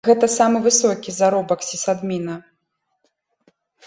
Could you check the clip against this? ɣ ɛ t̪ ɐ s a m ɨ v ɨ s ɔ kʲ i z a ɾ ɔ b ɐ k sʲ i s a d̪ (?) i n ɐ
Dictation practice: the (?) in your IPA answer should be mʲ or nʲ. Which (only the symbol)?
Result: mʲ